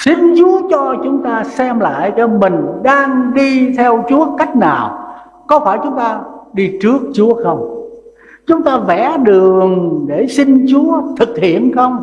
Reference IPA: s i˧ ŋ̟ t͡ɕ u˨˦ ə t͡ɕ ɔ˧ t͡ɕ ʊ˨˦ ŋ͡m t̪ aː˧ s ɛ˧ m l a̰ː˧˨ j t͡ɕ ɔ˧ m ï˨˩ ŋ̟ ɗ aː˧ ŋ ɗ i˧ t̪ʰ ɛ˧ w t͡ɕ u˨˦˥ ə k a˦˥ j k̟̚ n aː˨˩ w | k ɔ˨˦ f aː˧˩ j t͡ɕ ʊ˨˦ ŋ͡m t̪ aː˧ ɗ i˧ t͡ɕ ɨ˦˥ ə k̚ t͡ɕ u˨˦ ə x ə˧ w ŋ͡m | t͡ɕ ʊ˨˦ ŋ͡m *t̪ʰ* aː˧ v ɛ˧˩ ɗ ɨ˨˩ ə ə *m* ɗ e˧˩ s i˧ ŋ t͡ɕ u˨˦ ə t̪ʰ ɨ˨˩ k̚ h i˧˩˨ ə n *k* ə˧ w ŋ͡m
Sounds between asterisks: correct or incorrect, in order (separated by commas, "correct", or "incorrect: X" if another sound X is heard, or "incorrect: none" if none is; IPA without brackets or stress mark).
incorrect: t̪, incorrect: ŋ, incorrect: x